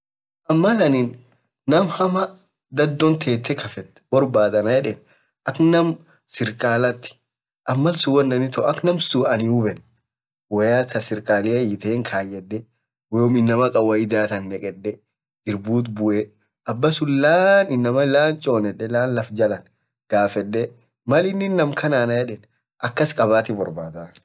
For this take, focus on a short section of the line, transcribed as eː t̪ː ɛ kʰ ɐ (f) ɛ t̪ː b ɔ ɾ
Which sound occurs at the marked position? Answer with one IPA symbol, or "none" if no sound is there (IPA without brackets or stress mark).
f